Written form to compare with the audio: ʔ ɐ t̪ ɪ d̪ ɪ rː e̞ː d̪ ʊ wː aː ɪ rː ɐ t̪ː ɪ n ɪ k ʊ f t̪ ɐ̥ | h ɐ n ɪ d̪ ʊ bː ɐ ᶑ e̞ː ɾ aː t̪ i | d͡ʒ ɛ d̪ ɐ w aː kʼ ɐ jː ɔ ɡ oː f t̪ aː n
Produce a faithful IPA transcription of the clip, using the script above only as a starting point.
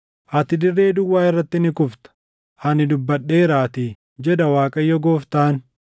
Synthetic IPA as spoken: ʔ ɐ t̪ ɪ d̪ ɪ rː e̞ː d̪ ʊ wː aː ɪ rː ɐ t̪ː ɪ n ɪ k ʊ f t̪ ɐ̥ | h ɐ n ɪ d̪ ʊ bː ɐ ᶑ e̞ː ɾ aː t̪ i | d͡ʒ ɛ d̪ ɐ w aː kʼ ɐ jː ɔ ɡ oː f t̪ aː n